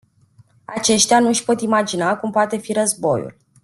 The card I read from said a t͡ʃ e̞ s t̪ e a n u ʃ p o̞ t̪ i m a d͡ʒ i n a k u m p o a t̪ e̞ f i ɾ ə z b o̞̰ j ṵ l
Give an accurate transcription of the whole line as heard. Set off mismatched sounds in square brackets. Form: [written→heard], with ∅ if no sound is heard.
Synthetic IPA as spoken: a t͡ʃ e̞ [s→ʃ] t̪ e a n u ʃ p o̞ t̪ i m a d͡ʒ i n a k u m p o a t̪ e̞ f i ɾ ə z b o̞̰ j ṵ l